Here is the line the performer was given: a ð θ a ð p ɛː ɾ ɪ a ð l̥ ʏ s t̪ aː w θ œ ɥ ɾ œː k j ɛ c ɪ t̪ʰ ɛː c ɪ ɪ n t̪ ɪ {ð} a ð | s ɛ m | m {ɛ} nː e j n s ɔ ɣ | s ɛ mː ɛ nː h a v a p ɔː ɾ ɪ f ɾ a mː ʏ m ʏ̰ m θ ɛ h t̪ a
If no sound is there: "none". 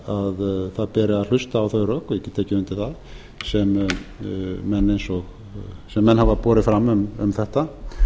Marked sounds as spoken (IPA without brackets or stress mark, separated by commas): θ, ɛ